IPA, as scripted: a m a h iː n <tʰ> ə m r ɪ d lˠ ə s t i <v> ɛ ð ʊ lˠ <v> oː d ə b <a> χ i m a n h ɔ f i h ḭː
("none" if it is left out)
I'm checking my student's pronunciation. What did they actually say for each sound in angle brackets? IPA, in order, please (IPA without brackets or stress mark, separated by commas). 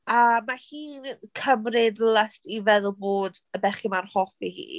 kʰ, v, b, ɛ